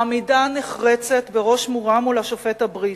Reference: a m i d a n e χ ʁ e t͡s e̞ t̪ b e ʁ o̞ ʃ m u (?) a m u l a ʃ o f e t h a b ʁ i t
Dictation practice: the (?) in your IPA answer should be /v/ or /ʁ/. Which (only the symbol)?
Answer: ʁ